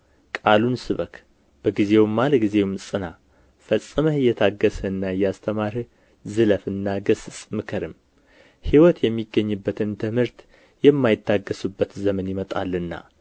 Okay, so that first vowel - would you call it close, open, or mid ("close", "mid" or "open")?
open